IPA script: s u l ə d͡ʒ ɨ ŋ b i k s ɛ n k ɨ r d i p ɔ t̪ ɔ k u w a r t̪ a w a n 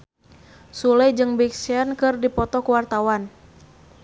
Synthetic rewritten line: s u l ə d͡ʒ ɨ ŋ b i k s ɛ n k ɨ r d i p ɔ t̪ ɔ k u w a r t̪ a w a n

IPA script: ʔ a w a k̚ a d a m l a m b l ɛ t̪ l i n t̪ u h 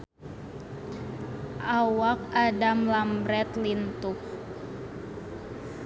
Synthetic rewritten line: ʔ a w a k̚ a d a m l a m b ɾ ɛ t̪ l i n t̪ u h

